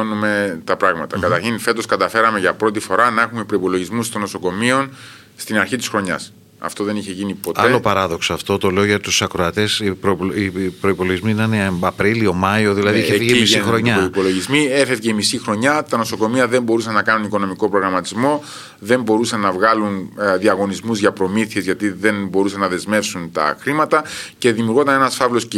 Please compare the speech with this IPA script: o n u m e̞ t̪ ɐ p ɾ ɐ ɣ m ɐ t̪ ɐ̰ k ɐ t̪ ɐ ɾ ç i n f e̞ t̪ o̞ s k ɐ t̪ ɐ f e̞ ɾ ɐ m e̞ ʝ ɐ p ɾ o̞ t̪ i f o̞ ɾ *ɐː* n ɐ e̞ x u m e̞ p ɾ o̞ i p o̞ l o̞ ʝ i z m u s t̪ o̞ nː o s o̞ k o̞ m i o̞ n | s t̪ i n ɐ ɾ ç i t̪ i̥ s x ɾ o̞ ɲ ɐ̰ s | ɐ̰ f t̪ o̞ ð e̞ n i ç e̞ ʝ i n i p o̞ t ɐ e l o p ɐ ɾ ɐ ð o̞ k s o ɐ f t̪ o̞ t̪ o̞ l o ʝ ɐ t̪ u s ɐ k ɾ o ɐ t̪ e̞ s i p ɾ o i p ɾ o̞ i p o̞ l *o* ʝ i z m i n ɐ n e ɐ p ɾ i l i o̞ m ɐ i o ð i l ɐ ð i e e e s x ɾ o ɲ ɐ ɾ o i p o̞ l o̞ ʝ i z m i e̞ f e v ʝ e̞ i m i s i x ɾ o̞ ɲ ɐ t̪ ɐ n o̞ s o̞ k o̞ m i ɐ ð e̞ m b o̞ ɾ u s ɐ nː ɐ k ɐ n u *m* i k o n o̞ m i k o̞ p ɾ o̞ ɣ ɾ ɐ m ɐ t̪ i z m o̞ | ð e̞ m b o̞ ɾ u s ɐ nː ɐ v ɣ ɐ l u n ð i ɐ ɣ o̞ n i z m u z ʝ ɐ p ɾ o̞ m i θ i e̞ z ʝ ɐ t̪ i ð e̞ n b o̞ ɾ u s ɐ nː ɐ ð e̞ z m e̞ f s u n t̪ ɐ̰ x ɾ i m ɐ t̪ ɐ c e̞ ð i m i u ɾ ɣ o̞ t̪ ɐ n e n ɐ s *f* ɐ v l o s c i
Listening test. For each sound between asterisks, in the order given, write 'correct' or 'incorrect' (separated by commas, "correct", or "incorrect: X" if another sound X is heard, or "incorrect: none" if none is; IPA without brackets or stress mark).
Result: incorrect: ɐ, correct, incorrect: n, correct